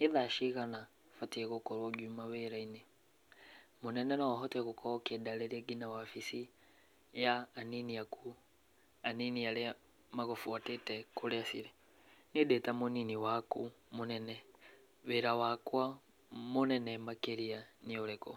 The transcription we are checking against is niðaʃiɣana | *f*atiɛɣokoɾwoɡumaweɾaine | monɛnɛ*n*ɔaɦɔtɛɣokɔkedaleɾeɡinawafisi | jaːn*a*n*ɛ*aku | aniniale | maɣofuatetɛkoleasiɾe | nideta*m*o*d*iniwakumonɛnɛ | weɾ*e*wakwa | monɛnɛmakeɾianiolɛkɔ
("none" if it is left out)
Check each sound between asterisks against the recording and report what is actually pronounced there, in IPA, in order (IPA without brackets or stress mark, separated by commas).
f, n, i, i, m, n, a